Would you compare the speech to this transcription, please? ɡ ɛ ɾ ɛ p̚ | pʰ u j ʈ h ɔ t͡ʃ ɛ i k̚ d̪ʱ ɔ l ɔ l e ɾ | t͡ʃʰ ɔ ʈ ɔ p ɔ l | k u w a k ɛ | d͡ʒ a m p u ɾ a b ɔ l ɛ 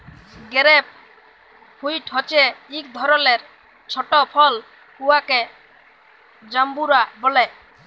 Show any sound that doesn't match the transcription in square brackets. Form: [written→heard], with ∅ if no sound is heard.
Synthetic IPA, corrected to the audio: ɡ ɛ ɾ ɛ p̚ | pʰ u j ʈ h ɔ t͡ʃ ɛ i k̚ d̪ʱ ɔ [l→ɾ] ɔ l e ɾ | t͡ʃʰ ɔ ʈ ɔ [p→pʰ] ɔ l | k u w a k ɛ | d͡ʒ a m [p→b] u ɾ a b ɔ l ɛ